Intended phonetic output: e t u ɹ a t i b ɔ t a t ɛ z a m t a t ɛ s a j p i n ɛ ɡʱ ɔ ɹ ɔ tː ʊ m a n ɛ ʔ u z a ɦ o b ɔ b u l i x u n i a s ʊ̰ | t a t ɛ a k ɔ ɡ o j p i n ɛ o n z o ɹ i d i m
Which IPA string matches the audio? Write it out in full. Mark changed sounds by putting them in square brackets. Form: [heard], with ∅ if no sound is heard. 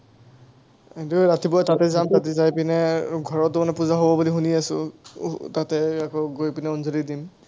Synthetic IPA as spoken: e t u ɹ a t i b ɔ t a t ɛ z a m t a t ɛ [z] a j p i n ɛ ɡʱ ɔ ɹ ɔ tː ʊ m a n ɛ [p] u z a ɦ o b ɔ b u l i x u n i a s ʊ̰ | t a t ɛ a k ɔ ɡ o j p i n ɛ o n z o [l] i d i m